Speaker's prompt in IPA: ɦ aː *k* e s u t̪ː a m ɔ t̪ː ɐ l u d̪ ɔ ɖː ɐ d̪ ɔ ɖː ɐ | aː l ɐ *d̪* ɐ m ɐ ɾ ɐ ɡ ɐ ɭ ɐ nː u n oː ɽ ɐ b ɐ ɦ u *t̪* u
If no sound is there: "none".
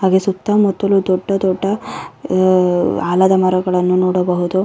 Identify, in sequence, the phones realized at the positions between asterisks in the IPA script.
ɡ, d̪, d̪

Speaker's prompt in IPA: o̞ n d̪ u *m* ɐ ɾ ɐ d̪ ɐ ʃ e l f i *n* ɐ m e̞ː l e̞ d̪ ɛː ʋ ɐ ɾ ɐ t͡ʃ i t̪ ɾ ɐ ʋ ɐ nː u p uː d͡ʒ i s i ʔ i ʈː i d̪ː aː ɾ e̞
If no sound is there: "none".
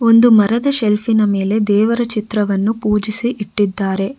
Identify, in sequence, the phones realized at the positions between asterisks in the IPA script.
m, n

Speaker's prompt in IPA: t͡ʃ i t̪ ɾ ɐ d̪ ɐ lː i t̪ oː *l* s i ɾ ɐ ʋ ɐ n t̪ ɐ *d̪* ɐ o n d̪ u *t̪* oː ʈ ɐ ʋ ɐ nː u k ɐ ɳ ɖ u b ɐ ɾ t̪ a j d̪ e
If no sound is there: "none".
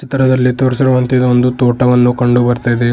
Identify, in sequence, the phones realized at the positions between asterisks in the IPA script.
ɾ, d̪, t̪

